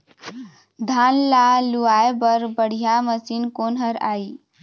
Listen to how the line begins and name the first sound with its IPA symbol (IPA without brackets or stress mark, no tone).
d̪ʱ